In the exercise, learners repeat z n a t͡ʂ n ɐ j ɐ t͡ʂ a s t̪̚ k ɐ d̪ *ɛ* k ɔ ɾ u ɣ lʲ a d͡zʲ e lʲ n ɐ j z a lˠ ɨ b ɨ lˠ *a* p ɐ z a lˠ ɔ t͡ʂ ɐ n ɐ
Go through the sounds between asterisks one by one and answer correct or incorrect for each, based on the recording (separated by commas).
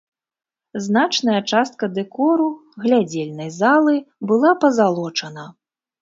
correct, correct